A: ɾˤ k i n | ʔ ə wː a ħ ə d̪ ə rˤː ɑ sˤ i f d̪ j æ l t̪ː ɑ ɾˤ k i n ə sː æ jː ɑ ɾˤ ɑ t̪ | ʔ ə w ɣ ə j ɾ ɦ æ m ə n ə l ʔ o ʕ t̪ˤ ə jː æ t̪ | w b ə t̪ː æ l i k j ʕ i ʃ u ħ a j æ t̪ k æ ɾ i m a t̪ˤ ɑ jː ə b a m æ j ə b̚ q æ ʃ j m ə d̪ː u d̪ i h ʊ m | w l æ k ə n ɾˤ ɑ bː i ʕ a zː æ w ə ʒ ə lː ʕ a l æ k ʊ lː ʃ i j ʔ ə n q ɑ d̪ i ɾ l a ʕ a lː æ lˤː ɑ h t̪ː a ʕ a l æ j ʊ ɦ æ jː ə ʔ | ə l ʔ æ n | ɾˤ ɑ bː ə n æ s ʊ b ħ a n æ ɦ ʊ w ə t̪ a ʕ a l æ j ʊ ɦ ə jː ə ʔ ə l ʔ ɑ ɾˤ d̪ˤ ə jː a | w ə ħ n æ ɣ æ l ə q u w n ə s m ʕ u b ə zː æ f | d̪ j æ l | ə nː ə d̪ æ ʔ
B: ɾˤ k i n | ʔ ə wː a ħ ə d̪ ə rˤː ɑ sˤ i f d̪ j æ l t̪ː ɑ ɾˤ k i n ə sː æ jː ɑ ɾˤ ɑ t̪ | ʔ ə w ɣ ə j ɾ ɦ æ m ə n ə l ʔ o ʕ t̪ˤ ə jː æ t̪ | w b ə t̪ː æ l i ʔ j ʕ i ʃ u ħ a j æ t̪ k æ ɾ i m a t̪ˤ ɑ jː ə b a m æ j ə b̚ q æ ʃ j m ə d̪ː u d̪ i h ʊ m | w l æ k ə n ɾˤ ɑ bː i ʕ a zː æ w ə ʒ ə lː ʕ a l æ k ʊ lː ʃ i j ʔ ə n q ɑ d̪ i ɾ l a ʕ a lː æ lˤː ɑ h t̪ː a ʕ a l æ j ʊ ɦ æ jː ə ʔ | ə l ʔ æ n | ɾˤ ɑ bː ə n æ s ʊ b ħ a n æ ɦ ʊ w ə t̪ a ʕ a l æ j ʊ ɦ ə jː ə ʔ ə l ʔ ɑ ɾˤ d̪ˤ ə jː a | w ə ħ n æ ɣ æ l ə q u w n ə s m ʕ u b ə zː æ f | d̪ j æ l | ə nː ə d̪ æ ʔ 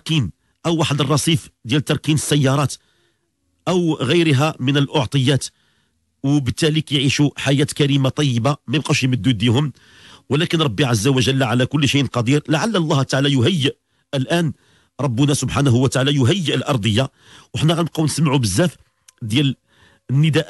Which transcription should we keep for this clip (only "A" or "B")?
A